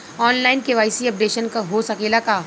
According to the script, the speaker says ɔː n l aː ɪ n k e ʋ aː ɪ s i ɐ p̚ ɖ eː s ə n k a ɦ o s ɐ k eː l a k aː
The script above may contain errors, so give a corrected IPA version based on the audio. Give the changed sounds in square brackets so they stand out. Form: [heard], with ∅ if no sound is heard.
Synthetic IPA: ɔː n l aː ɪ n k e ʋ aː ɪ s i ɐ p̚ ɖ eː [ʃ] ə n k a ɦ o s ɐ k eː l a k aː

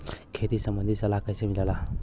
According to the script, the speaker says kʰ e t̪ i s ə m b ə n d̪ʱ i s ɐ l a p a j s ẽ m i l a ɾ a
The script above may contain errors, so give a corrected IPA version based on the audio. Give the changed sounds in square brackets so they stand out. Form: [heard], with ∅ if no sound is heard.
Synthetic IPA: kʰ e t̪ i s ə m b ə n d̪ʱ i s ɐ l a [k] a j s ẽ m i l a [l] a

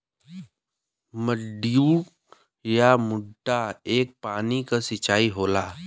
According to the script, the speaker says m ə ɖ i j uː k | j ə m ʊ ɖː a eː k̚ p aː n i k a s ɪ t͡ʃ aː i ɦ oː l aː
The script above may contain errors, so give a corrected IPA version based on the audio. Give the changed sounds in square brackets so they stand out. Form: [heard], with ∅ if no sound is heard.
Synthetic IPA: m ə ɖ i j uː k | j [a] m ʊ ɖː a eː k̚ p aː n i k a s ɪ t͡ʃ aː i ɦ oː l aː

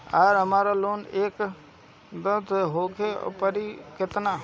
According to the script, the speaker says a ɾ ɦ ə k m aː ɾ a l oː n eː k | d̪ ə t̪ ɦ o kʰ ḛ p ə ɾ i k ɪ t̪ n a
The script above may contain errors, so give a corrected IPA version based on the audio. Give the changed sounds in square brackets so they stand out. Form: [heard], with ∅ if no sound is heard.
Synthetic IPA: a ɾ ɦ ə [∅] m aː ɾ a l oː n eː k | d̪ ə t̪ ɦ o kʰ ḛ p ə ɾ i k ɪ t̪ n a

